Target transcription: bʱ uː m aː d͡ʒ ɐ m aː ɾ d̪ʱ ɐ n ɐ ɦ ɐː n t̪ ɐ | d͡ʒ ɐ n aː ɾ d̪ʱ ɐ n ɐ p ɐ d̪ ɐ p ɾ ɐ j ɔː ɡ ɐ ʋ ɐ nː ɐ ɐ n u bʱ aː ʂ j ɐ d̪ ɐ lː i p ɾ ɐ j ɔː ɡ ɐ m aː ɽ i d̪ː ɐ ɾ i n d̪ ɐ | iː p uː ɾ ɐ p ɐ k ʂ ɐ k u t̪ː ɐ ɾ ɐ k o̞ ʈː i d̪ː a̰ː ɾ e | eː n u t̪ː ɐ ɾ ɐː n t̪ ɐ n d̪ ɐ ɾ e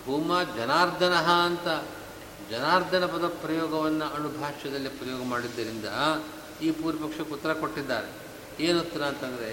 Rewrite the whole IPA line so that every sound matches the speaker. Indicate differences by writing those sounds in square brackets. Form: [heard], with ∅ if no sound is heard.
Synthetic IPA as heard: bʱ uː m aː d͡ʒ ɐ [n] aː ɾ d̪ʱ ɐ n ɐ ɦ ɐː n t̪ ɐ | d͡ʒ ɐ n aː ɾ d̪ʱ ɐ n ɐ p ɐ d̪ ɐ p ɾ ɐ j ɔː ɡ ɐ ʋ ɐ nː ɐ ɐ n u bʱ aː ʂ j ɐ d̪ ɐ lː i p ɾ ɐ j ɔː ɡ ɐ m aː ɽ i d̪ː ɐ ɾ i n d̪ ɐ | iː p uː ɾ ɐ p ɐ k ʂ ɐ k u t̪ː ɐ ɾ ɐ k o̞ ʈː i d̪ː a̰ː ɾ e | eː n u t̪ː ɐ ɾ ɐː n t̪ ɐ n d̪ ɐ ɾ e